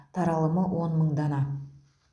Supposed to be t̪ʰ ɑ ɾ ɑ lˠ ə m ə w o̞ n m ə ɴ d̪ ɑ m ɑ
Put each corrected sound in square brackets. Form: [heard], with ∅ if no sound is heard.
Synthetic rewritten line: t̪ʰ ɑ ɾ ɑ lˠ ə m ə w o̞ n m ə ɴ d̪ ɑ [n] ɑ

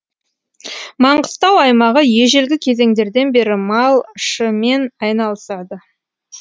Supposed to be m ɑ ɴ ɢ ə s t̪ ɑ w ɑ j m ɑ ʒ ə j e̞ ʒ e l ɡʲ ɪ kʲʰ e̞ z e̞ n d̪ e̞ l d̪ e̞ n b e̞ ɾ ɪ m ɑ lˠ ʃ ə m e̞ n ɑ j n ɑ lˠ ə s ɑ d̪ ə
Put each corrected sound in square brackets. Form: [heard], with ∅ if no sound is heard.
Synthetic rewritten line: m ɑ ɴ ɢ ə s t̪ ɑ w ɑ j m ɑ [ʁ] ə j e̞ ʒ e l ɡʲ ɪ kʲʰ e̞ z e̞ [ŋ] d̪ e̞ [ɾ] d̪ e̞ n b e̞ ɾ ɪ m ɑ lˠ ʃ ə m e̞ n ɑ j n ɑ lˠ ə s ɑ d̪ ə

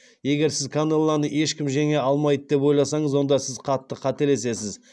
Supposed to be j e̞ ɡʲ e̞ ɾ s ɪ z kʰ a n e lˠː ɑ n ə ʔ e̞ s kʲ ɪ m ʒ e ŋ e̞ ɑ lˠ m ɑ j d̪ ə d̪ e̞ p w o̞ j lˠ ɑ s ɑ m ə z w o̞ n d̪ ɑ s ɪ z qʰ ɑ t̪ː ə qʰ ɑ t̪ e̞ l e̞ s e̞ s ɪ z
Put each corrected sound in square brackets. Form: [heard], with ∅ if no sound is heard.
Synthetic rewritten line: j e̞ ɡʲ e̞ ɾ s ɪ z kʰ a n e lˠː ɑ n ə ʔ e̞ [ʃ] kʲ ɪ m ʒ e ŋ e̞ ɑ lˠ m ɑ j d̪ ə d̪ e̞ p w o̞ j lˠ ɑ s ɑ [ɴ] ə z w o̞ n d̪ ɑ s ɪ z qʰ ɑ t̪ː ə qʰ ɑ t̪ e̞ l e̞ s e̞ s ɪ z

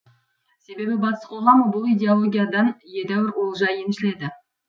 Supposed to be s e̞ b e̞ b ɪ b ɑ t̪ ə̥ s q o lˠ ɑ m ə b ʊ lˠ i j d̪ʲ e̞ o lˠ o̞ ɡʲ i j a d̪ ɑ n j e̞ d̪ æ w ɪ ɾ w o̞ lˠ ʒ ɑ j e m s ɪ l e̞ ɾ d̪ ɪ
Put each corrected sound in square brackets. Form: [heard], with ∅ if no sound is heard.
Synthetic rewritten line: s e̞ b e̞ b ɪ b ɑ t̪ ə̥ s q o lˠ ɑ m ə b ʊ lˠ i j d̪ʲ e̞ o lˠ o̞ ɡʲ i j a d̪ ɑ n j e̞ d̪ æ w ɪ ɾ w o̞ lˠ ʒ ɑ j e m [ʃ] ɪ l e̞ [∅] d̪ ɪ

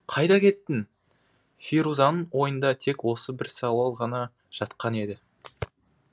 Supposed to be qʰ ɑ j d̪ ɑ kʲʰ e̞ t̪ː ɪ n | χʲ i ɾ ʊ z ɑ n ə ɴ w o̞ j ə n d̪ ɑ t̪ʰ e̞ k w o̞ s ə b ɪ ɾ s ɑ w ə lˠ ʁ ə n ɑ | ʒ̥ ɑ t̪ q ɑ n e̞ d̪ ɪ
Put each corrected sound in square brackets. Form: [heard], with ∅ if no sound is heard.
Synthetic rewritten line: qʰ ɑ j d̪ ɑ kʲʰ e̞ t̪ː ɪ n | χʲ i ɾ [u] z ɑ n ə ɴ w o̞ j ə n d̪ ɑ t̪ʰ e̞ k w o̞ s ə b ɪ ɾ s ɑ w [ɑ] lˠ ʁ [ɑ] n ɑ | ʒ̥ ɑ t̪ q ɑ n e̞ d̪ ɪ

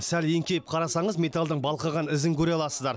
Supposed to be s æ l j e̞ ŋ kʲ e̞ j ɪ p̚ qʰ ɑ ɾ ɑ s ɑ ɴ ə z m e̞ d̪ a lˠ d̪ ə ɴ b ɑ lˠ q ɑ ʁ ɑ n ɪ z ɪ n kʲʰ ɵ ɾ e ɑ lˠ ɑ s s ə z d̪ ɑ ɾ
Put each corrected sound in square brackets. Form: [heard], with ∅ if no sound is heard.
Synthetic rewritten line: s æ l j e̞ ŋ kʲ e̞ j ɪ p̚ qʰ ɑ ɾ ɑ s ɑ ɴ ə z m e̞ [t̪] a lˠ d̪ ə ɴ b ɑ lˠ q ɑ ʁ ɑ n ɪ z ɪ [ŋ] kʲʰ ɵ ɾ e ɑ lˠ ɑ s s ə z d̪ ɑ ɾ

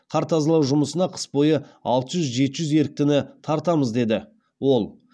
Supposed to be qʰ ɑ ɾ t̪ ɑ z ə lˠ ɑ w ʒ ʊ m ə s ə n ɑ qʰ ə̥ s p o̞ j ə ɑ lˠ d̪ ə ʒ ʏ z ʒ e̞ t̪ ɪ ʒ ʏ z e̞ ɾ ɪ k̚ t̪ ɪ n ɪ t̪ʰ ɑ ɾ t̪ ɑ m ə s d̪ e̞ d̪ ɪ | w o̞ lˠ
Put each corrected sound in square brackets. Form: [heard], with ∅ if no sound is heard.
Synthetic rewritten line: qʰ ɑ ɾ t̪ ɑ z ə lˠ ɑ w ʒ ʊ m ə s ə n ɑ qʰ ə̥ s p o̞ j ə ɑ lˠ [t̪] ə ʒ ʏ z ʒ e̞ t̪ ɪ ʒ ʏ z e̞ ɾ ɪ k̚ t̪ ɪ n ɪ t̪ʰ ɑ ɾ t̪ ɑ m ə [z] d̪ e̞ d̪ ɪ | w o̞ lˠ

